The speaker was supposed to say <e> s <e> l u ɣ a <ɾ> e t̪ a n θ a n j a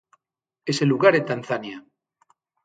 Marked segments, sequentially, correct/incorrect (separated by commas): correct, correct, correct